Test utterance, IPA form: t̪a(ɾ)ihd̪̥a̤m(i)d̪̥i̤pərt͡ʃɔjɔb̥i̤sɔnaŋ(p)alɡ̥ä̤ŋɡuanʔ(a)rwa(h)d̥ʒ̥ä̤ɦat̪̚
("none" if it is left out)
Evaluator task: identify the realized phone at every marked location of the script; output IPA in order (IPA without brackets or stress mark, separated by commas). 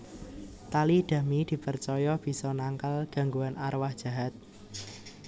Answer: l, i, k, a, h